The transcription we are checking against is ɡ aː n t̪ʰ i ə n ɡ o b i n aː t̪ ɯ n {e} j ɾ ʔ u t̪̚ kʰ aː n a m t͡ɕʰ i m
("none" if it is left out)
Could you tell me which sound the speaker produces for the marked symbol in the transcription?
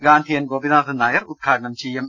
a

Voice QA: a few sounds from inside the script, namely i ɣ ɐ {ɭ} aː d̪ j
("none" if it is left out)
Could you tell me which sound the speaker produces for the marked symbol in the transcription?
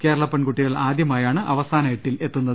ɭ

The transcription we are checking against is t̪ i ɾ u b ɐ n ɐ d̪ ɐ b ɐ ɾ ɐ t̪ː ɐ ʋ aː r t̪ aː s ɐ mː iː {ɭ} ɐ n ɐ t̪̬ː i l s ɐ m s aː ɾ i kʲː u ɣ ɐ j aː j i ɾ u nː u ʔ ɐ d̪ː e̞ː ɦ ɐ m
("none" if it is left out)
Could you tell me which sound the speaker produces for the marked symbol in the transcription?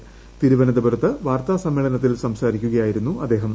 ɭ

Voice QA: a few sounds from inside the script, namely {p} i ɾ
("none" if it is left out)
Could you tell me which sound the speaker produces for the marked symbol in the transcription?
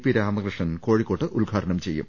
p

